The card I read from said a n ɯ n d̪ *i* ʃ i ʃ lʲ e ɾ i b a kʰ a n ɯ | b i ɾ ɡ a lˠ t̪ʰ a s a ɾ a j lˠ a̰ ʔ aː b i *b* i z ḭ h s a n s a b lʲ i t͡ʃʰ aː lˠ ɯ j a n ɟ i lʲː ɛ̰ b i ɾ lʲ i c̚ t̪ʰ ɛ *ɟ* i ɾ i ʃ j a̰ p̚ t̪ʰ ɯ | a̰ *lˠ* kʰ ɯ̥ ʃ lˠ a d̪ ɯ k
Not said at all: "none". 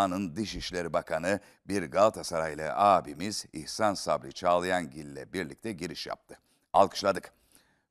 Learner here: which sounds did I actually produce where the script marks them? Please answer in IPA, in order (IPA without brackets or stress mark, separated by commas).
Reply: i, m, ɟ, lˠ